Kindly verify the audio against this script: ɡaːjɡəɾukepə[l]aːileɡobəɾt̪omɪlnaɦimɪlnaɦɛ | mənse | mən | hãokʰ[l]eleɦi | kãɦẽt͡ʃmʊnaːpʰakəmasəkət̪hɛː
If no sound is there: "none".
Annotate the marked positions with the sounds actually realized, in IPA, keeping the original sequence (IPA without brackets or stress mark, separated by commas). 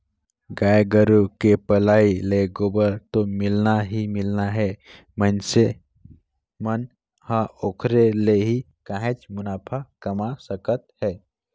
l, ɾ